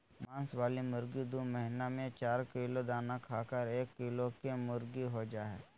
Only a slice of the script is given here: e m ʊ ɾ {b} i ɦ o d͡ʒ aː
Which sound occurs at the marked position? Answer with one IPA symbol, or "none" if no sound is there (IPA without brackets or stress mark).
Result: ɡ